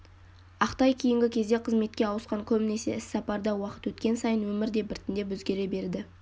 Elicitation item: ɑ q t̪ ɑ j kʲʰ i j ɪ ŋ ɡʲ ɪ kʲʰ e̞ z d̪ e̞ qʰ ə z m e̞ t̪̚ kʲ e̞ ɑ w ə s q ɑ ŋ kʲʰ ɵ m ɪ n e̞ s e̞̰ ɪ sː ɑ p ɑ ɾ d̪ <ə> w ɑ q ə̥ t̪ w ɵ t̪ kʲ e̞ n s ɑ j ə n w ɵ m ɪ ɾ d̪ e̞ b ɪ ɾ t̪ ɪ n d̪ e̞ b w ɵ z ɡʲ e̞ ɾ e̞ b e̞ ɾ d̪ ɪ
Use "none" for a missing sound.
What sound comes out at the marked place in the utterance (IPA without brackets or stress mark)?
ɑ